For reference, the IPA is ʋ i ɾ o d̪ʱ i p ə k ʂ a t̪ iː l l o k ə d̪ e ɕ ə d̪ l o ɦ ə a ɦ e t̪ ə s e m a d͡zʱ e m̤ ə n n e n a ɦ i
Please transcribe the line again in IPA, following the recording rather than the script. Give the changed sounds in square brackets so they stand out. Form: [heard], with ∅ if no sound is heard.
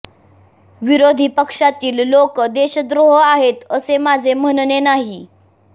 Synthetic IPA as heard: ʋ i ɾ o d̪ʱ i p ə k ʂ a t̪ iː l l o k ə d̪ e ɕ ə d̪ [ɾ] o ɦ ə a ɦ e t̪ ə s e m a d͡zʱ e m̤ ə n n e n a ɦ i